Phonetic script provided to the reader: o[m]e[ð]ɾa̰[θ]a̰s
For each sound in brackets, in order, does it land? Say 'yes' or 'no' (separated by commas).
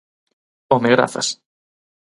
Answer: yes, no, yes